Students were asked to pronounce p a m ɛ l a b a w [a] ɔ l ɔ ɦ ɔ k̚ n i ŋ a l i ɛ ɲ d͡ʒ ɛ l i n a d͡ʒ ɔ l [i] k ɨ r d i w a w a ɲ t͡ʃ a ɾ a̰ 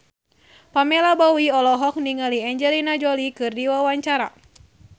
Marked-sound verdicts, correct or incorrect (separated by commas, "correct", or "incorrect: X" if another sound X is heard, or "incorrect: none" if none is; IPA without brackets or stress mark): incorrect: i, correct